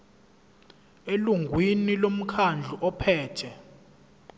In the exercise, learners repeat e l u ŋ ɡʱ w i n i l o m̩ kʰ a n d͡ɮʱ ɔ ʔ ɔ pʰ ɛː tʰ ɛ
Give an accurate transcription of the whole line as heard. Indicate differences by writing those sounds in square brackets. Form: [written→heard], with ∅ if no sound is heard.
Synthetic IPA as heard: e l u ŋ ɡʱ w i n i l o m̩ kʰ a n d͡ɮʱ [ɔ→u] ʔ ɔ pʰ ɛː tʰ ɛ